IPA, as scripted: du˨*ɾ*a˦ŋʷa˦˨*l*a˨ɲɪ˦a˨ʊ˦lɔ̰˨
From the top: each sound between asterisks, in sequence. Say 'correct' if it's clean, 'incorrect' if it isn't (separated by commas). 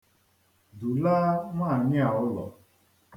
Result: incorrect, incorrect